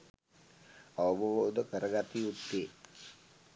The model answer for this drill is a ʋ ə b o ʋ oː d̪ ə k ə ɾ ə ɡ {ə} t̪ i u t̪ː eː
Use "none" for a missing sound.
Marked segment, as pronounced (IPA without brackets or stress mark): a